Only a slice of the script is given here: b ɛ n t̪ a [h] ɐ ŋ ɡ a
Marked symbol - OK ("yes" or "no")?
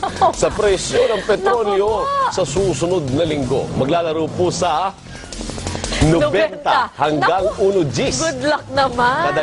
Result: yes